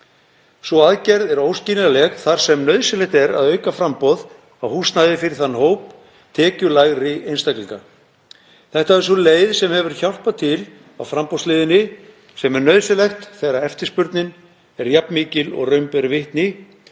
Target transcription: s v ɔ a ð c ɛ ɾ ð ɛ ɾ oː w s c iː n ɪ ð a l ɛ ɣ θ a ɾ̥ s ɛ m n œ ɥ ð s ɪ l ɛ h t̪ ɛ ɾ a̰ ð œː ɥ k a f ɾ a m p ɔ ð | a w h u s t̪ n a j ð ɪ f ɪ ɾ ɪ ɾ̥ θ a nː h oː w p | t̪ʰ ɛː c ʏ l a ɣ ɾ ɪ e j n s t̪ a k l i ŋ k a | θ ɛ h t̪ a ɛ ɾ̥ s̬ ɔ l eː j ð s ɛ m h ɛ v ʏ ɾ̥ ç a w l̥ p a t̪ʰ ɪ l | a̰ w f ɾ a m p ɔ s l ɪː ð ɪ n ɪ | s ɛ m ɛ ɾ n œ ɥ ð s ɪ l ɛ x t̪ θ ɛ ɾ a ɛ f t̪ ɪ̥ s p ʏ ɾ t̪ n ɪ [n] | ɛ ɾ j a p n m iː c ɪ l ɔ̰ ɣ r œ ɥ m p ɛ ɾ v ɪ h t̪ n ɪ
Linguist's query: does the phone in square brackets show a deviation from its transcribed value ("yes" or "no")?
no